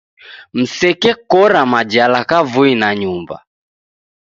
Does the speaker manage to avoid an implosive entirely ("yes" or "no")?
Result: yes